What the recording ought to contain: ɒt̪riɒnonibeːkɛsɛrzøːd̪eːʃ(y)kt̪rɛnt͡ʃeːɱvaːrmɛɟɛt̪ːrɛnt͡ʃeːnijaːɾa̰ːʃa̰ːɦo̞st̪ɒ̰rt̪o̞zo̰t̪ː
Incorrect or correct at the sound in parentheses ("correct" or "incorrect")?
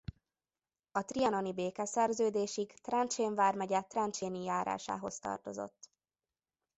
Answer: incorrect